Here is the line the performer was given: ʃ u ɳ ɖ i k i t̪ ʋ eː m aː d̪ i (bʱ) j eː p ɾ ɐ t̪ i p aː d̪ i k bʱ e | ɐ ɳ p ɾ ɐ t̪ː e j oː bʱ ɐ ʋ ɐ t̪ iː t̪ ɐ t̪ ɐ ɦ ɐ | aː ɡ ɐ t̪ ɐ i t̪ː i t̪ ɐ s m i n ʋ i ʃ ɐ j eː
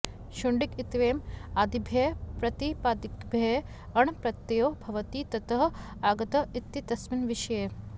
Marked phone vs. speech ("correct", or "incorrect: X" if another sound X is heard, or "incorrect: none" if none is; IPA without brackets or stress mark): correct